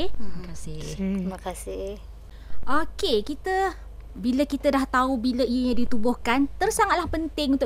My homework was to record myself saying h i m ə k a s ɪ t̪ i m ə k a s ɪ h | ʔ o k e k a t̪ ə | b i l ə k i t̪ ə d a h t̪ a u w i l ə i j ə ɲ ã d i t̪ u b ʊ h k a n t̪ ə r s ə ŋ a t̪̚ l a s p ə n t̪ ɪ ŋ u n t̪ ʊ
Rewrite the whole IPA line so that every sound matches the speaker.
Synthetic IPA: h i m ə k a s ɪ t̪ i m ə k a s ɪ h | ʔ o k e k i t̪ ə | b i l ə k i t̪ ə d a h t̪ a u b i l ə i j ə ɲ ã d i t̪ u b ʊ h k a n t̪ ə r s a ŋ a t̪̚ l a h p ə n t̪ ɪ ŋ u n t̪ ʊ